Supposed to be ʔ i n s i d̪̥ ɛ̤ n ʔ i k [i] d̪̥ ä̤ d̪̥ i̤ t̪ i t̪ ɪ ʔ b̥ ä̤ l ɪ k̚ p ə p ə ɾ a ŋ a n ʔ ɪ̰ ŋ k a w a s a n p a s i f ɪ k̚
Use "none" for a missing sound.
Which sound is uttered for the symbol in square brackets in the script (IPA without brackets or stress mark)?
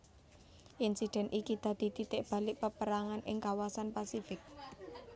i